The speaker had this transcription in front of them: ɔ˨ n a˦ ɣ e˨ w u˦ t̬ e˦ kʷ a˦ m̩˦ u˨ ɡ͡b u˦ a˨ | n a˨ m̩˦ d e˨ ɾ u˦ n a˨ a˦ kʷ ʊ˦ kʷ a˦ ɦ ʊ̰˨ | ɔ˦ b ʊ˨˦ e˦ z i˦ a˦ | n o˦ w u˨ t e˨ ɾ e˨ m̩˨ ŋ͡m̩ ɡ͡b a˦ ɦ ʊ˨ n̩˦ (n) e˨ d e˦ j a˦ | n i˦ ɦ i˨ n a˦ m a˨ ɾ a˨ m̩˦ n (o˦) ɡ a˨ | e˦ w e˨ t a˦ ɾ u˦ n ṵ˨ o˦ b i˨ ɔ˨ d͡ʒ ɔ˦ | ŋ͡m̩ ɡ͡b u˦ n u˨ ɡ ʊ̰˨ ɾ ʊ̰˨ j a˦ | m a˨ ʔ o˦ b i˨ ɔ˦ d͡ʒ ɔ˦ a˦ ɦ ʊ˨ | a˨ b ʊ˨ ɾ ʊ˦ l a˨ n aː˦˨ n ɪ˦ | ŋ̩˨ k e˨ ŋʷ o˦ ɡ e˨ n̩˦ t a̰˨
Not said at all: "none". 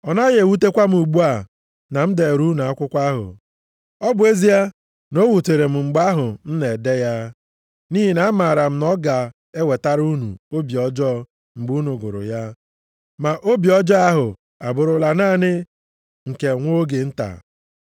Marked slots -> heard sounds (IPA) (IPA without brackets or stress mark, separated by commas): n, ɔ˦